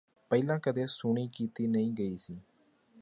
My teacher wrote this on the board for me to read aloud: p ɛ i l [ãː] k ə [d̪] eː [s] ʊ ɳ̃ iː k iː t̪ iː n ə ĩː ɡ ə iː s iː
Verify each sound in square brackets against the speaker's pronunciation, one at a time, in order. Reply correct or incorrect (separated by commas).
correct, correct, correct